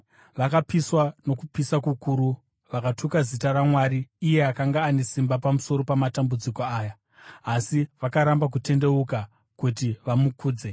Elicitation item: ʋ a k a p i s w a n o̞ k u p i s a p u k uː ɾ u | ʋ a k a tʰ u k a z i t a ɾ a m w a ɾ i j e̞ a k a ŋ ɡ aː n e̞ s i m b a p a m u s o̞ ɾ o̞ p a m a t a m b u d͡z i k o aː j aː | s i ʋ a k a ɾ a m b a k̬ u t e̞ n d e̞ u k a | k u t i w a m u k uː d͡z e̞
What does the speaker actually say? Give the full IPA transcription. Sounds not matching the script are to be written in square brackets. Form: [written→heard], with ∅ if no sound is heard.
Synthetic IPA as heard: ʋ a k a p i s w a n o̞ k u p i s a [p→k] u k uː ɾ u | ʋ a k a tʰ u k a z i t a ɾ a m w a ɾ [i→iː] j e̞ a k a ŋ ɡ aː n e̞ s i m b a p a m u s o̞ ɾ o̞ p a m a t a m b u d͡z i k o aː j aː | s i ʋ a k a ɾ a m b a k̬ u t e̞ n d e̞ u k a | k u t i [w→ʋ] a m u k uː d͡z e̞